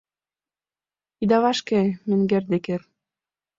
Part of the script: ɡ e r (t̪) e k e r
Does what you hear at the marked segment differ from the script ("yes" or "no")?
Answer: yes